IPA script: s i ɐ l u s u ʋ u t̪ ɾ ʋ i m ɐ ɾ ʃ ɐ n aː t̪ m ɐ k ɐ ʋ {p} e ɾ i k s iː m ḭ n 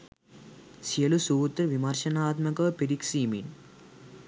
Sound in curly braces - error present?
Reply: no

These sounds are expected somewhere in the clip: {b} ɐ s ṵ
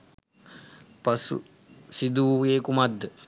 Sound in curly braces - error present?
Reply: yes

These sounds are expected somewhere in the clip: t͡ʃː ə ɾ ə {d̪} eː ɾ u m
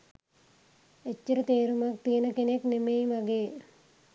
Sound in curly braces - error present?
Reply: yes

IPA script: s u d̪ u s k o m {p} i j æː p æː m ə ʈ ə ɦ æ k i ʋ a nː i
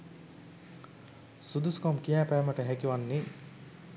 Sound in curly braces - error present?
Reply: yes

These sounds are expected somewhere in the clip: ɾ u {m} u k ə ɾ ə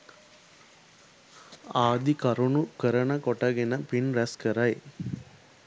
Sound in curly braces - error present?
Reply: yes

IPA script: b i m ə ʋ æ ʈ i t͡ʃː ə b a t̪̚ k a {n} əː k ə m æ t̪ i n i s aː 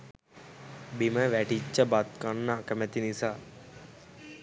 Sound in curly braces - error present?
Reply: yes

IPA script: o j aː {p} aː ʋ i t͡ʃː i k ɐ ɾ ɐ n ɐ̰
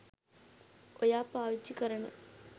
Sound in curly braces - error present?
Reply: no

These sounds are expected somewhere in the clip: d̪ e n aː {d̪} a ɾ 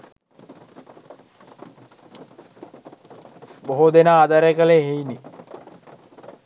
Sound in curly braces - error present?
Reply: no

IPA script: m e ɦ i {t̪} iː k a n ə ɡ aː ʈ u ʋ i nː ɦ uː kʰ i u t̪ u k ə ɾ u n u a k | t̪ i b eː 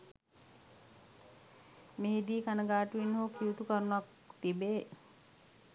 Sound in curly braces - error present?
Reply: yes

